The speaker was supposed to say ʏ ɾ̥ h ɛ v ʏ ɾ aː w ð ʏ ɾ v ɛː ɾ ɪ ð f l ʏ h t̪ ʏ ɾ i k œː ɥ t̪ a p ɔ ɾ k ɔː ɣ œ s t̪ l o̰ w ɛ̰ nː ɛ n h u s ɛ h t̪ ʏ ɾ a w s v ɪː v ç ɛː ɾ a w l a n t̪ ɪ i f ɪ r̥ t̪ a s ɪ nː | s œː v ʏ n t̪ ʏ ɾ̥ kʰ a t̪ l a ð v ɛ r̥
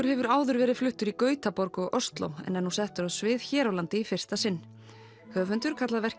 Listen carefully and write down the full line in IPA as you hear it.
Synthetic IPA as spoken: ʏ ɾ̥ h ɛ v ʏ ɾ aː w ð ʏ ɾ v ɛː ɾ ɪ ð f l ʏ h t̪ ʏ ɾ i k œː ɥ t̪ a p ɔ ɾ k ɔ ɣ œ s t̪ l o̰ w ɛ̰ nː ɛ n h u s ɛ h t̪ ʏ ɾ a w s v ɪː ð ç ɛː ɾ a w l a n t̪ ɪ i f ɪ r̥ t̪ a s ɪ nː | h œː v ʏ n t̪ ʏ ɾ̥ kʰ a t̪ l a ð v ɛ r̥